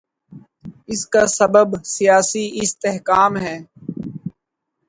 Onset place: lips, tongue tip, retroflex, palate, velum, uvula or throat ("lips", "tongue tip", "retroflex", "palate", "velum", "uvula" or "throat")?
tongue tip